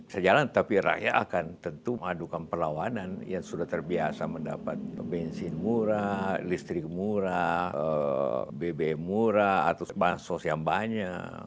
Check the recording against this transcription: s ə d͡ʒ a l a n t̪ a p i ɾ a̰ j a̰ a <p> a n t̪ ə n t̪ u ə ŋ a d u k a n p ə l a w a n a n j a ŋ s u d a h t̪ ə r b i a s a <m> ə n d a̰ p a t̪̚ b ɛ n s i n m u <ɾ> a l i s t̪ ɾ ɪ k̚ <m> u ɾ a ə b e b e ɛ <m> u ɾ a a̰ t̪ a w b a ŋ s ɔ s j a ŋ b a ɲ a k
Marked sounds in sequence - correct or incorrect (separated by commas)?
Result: incorrect, correct, correct, correct, correct